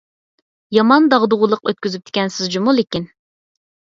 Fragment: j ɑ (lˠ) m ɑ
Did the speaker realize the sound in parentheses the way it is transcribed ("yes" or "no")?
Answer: no